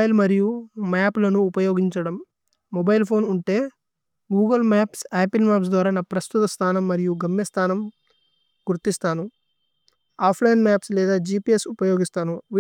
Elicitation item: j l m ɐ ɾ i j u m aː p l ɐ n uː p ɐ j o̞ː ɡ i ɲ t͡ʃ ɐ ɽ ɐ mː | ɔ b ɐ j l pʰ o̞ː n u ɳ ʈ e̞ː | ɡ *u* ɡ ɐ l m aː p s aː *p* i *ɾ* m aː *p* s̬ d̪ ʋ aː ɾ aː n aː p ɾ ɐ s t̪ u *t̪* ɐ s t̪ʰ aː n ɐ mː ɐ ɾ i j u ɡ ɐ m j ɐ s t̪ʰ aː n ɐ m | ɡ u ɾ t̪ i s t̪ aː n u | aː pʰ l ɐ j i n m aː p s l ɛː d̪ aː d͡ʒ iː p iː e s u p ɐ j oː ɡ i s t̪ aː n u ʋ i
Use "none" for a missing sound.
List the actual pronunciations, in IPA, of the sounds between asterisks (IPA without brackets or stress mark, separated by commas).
uː, p, l, p, t̪